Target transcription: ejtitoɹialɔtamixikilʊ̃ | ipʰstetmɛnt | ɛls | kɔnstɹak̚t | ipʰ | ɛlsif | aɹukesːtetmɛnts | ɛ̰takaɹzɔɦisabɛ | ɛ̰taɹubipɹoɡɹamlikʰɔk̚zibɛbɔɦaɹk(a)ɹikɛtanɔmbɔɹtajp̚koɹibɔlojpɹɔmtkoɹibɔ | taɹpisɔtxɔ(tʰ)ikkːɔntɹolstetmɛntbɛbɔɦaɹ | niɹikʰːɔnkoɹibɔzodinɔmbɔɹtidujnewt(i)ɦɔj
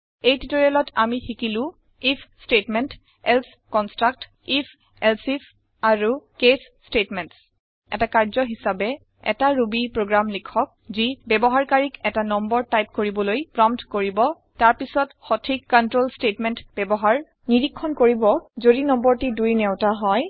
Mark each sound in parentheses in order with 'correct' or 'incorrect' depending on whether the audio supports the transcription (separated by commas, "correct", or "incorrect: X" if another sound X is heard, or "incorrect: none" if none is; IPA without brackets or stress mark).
correct, correct, incorrect: a